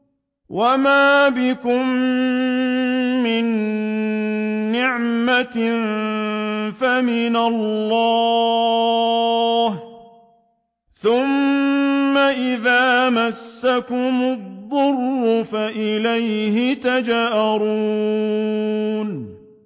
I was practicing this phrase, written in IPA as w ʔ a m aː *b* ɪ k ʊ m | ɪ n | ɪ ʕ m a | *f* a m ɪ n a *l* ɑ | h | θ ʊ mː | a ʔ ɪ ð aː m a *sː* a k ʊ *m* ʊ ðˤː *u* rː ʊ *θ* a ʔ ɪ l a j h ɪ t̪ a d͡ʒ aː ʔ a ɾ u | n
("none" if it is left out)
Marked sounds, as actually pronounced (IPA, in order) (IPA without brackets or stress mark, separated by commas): b, f, lː, sː, m, ʊ, f